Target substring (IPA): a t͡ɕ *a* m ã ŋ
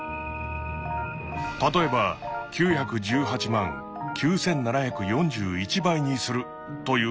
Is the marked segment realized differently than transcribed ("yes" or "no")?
yes